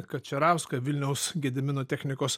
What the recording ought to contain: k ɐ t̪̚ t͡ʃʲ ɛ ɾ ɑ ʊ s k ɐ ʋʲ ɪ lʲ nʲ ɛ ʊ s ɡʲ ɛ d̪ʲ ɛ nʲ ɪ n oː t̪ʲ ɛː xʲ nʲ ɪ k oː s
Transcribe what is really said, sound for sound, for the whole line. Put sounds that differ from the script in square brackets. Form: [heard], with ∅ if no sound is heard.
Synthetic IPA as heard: k ɐ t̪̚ t͡ʃʲ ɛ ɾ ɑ ʊ s k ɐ ʋʲ ɪ lʲ nʲ ɛ ʊ s ɡʲ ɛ d̪ʲ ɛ [mʲ] ɪ n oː t̪ʲ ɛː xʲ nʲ ɪ k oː s